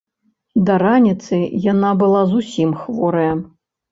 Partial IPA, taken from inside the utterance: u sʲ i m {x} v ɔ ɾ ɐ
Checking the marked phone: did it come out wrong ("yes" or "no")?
no